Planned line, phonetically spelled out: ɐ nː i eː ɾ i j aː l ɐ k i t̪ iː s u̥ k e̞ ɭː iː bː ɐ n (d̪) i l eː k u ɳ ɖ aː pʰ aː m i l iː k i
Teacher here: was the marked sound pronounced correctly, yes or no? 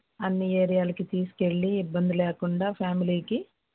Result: yes